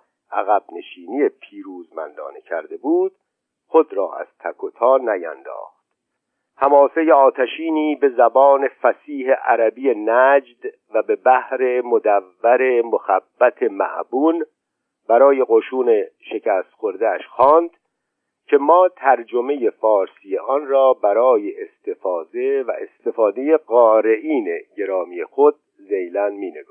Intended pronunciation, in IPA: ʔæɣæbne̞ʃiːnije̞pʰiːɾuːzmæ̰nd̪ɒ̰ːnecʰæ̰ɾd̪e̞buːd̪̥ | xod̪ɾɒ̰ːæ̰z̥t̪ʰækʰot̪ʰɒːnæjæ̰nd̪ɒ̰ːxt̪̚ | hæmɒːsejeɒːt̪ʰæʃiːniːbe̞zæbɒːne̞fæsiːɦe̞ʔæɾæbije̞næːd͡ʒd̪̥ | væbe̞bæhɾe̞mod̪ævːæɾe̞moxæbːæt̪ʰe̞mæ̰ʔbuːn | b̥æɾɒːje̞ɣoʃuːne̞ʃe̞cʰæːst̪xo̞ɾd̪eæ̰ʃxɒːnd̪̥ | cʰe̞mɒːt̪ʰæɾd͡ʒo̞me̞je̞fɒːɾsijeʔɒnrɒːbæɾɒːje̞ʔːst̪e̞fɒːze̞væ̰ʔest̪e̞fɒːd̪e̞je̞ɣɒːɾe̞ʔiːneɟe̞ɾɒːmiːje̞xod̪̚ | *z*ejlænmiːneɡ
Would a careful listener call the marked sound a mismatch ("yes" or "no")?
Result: no